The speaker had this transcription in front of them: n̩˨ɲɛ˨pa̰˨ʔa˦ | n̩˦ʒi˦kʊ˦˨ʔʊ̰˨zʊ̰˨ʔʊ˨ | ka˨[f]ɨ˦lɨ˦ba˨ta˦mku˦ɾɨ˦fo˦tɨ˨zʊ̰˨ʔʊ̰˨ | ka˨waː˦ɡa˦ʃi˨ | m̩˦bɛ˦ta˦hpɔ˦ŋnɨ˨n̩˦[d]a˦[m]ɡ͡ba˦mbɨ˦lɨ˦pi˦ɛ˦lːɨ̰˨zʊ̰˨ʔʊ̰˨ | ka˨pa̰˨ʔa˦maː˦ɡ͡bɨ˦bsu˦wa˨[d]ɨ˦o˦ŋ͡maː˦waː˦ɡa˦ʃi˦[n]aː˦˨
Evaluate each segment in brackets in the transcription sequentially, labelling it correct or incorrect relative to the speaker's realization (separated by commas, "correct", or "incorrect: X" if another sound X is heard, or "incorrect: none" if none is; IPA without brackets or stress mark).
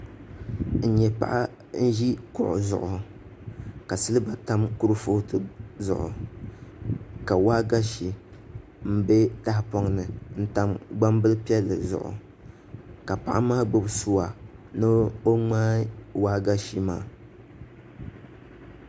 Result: incorrect: s, incorrect: t, correct, incorrect: n, incorrect: m